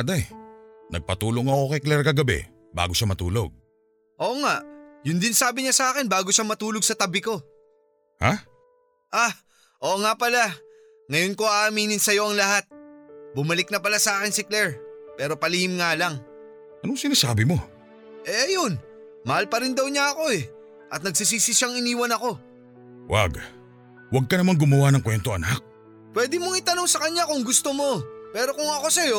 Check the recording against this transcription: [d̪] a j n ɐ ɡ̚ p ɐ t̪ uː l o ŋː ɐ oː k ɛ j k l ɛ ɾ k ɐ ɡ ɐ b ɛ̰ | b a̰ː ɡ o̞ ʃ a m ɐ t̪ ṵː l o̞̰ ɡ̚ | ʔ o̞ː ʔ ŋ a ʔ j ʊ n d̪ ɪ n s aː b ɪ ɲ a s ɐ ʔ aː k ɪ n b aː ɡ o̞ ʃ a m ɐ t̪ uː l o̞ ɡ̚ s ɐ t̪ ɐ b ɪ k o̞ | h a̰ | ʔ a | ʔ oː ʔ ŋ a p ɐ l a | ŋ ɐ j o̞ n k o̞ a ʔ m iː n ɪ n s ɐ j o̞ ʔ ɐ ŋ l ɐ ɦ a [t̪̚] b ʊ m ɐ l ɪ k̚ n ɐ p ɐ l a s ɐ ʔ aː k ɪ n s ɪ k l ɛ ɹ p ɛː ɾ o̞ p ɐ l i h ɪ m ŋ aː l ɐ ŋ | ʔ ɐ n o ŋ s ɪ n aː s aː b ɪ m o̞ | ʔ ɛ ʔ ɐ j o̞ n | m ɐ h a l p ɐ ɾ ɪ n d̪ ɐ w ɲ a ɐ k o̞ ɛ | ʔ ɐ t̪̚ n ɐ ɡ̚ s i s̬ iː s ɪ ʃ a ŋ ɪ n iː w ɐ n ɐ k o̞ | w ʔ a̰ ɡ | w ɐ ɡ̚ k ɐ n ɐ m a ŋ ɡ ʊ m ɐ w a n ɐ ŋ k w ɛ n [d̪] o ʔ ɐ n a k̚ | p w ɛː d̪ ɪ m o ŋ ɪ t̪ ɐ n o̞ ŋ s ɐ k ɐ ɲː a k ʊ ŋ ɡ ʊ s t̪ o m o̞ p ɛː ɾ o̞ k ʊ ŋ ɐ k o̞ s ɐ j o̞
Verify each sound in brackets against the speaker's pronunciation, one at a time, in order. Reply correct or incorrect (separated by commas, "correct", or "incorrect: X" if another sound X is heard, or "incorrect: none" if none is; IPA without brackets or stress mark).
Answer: correct, correct, incorrect: t̪